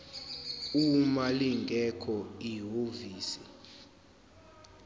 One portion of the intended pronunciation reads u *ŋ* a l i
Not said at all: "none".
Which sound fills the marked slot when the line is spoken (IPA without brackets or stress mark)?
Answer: m